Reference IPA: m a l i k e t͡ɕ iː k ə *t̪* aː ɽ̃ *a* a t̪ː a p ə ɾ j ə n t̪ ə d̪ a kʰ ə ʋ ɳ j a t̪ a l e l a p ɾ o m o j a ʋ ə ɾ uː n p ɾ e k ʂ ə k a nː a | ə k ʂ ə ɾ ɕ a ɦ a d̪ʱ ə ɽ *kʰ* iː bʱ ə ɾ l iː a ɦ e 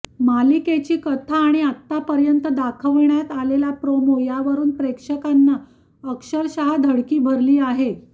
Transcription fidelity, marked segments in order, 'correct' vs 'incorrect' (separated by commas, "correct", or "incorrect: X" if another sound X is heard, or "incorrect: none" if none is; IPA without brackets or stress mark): incorrect: t̪ʰ, incorrect: i, incorrect: k